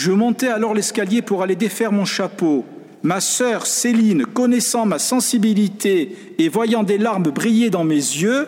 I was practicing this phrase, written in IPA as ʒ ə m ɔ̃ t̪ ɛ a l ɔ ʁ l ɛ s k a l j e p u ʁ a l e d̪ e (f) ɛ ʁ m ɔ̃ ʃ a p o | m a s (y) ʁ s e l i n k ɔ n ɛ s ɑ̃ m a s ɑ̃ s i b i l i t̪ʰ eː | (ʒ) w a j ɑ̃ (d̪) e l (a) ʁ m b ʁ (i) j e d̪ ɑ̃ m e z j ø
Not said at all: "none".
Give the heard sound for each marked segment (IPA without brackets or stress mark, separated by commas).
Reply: f, œ, v, d̪, a, i